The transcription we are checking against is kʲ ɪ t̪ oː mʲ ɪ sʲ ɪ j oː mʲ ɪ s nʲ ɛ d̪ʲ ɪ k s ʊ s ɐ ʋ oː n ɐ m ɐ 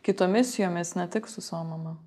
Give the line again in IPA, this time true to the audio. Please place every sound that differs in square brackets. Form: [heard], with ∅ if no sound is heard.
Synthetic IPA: kʲ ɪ t̪ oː mʲ ɪ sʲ ɪ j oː mʲ ɪ s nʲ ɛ [t̪ʲ] ɪ k s ʊ s ɐ ʋ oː [m] ɐ m ɐ